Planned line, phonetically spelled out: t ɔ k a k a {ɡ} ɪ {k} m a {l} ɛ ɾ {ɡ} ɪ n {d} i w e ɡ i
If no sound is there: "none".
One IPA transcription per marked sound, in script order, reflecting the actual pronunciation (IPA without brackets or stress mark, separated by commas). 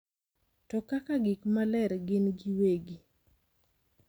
ɡ, k, l, ɡ, ɡ